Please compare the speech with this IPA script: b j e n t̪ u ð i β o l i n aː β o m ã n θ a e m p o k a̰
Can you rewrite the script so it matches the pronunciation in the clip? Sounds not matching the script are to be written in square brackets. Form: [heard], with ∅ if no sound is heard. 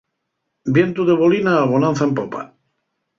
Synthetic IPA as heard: b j e n t̪ u ð [e] β o l i n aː β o [n] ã n θ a e m p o [p] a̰